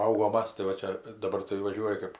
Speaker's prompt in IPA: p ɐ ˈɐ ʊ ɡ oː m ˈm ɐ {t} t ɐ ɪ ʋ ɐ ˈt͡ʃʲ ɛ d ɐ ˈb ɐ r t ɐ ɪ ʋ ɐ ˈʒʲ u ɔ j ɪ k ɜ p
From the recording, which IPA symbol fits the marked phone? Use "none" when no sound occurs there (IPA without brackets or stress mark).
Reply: s